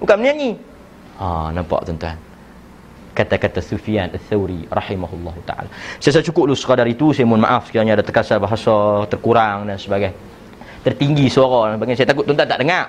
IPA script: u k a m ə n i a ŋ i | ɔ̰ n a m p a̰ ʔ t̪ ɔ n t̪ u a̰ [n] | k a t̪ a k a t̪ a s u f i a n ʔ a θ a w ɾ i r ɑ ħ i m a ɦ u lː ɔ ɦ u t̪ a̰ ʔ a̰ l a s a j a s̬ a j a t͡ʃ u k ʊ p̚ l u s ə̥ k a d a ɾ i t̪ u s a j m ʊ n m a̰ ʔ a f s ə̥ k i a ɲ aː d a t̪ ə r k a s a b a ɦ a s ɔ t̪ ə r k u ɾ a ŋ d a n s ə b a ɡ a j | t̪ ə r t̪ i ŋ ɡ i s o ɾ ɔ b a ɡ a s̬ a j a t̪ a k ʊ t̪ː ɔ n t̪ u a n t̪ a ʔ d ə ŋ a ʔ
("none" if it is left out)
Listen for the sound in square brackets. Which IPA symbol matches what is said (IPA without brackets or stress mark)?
n